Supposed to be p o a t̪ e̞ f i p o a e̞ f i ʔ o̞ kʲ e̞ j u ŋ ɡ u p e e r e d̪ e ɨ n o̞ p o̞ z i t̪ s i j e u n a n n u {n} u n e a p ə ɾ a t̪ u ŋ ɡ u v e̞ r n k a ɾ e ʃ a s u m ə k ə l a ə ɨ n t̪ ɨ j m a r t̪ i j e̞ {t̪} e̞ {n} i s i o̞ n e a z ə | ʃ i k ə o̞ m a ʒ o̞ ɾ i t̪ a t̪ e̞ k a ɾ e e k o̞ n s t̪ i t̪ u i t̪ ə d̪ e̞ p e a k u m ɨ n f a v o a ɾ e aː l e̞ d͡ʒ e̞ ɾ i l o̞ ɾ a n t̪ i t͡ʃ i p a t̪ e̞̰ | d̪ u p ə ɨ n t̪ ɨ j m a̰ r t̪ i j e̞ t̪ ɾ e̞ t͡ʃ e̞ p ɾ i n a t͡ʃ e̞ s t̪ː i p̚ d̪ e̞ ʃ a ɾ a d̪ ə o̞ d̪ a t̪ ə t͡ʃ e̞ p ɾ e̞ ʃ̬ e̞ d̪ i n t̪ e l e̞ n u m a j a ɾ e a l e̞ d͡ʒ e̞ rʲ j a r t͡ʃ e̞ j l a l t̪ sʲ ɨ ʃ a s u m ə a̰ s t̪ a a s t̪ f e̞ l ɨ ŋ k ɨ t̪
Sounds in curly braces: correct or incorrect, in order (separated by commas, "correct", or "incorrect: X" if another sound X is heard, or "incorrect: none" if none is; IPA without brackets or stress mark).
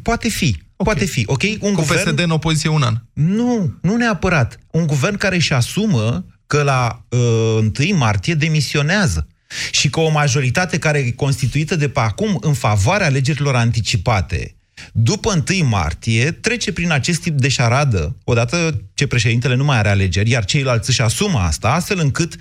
correct, incorrect: d̪, incorrect: m